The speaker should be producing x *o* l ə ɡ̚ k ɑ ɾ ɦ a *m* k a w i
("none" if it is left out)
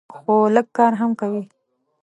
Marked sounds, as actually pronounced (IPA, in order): o, m

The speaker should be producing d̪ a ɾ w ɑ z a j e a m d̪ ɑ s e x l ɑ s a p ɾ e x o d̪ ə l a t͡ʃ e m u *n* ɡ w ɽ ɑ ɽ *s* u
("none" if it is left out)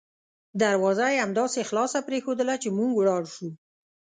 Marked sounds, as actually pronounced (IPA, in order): ŋ, ʃ

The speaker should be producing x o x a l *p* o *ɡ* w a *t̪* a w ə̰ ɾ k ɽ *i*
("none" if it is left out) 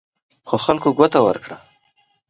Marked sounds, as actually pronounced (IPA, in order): k, ɡ, t̪, a

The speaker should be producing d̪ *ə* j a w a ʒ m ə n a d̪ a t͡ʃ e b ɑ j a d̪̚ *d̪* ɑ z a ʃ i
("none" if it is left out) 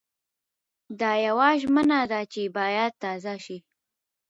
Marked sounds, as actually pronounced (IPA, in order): ɑ, t̪

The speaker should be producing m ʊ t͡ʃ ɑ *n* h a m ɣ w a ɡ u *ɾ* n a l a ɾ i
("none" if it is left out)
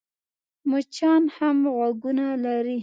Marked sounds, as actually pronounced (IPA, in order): n, none

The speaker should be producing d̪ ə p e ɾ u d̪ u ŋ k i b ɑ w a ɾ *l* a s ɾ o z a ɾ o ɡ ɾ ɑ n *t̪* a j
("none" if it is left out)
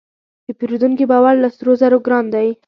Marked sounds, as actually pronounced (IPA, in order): l, d̪

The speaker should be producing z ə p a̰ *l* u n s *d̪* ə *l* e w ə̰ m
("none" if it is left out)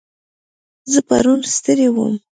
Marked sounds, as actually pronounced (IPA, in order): ɾ, t̪, ɾ

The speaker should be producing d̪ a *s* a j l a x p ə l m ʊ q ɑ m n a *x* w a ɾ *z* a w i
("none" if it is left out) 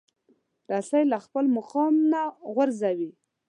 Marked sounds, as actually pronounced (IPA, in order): s, ɣ, z

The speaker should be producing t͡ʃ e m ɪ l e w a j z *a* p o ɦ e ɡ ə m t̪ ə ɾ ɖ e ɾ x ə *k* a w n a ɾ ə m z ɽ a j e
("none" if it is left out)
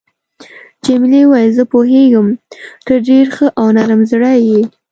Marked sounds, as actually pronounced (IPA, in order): ə, ʔ

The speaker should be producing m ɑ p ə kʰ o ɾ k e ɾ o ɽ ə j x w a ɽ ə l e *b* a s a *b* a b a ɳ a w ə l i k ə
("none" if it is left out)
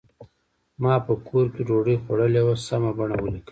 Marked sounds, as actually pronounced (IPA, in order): w, m

